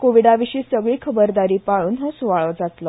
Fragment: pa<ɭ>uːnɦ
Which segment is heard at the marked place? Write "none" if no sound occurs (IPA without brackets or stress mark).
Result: ɭ